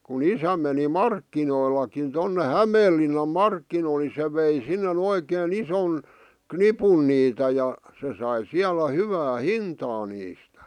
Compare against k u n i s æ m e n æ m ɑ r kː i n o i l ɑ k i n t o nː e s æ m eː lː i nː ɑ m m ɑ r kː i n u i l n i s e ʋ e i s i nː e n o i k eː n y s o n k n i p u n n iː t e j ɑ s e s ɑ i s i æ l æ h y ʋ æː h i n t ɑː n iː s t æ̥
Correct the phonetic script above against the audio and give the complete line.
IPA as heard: k u n i s æ m e n i m ɑ r kː i n o i l ɑ k i n t o nː e h æ m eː lː i nː ɑ m m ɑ r kː i n o i l n i s e ʋ e i s i nː e n o i k eː n i s o n k n i p u n n iː t æ j ɑ s e s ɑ i s i æ l æ h y ʋ æː h i n t ɑː n iː s t æ̥